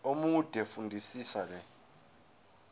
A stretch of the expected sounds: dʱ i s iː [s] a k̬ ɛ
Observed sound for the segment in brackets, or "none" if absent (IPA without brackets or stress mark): s